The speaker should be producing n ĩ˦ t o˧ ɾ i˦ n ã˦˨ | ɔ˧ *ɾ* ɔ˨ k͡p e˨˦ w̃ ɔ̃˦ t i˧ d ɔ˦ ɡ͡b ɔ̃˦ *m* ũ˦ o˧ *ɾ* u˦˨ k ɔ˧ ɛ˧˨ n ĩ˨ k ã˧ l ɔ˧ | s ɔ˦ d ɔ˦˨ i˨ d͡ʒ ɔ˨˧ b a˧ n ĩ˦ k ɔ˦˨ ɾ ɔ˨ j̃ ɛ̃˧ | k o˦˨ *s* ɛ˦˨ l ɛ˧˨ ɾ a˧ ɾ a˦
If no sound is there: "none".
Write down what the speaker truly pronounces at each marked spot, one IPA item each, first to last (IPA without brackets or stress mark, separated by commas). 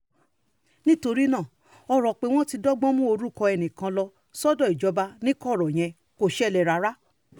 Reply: ɾ, m, ɾ, ʃ